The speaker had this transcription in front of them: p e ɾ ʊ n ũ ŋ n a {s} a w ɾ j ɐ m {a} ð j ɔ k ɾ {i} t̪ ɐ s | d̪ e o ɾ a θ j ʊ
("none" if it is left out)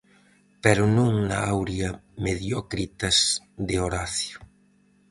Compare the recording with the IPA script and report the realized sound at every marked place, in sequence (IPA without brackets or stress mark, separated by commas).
none, e, i